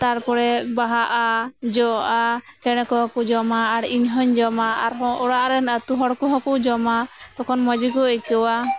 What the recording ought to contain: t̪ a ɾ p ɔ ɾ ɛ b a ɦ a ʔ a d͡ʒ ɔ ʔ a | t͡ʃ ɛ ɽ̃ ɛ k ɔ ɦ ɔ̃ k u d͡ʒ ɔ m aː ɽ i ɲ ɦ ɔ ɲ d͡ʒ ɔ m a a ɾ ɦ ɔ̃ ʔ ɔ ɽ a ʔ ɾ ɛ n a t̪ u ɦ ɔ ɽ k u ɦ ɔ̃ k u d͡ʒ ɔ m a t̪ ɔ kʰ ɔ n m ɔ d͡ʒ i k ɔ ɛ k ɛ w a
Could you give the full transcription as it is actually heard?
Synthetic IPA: t̪ a ɾ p ɔ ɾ ɛ b a ɦ a ʔ a d͡ʒ ɔ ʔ a | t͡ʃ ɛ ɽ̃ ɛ k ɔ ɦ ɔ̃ k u d͡ʒ ɔ m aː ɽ i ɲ ɦ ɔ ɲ d͡ʒ ɔ m a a ɾ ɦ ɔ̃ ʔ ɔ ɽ a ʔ ɾ ɛ n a t̪ u ɦ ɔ ɽ k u ɦ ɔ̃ k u d͡ʒ ɔ m a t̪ ɔ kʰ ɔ n m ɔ d͡ʒ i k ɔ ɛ k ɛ w a